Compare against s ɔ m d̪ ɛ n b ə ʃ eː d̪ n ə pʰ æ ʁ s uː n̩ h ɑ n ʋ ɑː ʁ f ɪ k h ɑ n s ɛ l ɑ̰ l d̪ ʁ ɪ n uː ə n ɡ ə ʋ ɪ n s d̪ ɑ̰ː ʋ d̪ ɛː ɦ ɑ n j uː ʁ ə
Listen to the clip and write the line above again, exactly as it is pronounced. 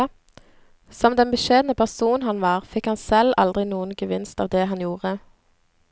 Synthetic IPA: s ɔ m d̪ ɛ n b ə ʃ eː d̪ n ə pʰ æ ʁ s uː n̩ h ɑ n ʋ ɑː ʁ f ɪ k h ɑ n s ɛ l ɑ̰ l d̪ ʁ ɪ n uː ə n ɡ ə ʋ ɪ n s t̪ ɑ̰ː ʋ d̪ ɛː ɦ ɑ n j uː ʁ ə